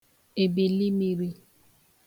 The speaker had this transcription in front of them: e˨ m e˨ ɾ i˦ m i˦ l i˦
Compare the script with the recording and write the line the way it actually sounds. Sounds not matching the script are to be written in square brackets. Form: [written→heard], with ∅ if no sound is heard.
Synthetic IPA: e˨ [m→b] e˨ [ɾ→l] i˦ m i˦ [l→ɾ] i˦